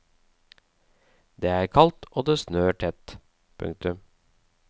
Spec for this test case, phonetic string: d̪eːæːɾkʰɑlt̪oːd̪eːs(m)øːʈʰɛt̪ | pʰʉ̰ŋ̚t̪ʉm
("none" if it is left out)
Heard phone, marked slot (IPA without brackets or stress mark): n